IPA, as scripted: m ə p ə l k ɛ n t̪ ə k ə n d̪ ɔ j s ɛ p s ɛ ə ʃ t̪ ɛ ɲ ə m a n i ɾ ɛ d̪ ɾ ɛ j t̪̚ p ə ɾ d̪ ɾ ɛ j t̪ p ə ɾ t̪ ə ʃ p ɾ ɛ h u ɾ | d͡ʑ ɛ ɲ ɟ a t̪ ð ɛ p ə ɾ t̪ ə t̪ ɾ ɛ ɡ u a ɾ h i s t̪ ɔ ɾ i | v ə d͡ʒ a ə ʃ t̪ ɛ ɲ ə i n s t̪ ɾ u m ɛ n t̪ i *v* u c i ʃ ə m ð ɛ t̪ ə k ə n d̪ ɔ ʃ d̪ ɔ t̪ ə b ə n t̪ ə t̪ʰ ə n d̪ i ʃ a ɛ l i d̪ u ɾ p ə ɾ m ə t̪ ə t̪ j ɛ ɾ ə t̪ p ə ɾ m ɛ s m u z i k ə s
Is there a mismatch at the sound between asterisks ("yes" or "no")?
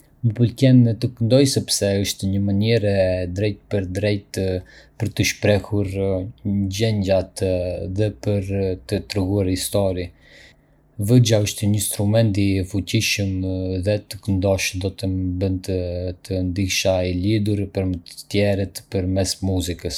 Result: yes